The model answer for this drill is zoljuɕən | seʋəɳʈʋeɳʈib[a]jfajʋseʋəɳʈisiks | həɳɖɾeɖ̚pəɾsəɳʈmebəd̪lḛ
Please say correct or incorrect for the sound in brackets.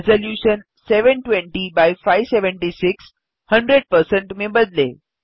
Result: correct